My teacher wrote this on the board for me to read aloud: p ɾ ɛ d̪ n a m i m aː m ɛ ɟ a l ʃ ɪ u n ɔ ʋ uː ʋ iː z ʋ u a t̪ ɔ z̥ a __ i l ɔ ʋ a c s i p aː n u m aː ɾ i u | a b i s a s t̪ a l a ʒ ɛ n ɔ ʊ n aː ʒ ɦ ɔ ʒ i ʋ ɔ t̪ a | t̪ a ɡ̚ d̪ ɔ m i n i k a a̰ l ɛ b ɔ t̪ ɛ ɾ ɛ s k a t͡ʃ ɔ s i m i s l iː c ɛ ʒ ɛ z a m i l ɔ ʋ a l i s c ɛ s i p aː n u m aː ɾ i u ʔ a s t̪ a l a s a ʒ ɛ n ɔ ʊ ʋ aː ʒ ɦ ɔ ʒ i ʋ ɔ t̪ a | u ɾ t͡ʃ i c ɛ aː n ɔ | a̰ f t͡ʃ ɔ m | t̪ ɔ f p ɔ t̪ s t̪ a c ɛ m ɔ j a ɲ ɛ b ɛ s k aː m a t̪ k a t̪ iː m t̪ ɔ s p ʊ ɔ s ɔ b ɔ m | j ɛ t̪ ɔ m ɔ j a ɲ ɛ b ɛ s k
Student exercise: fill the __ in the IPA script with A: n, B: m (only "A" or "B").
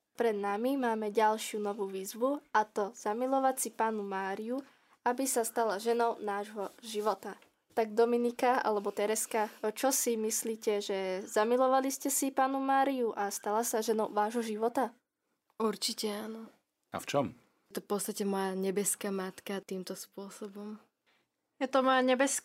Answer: B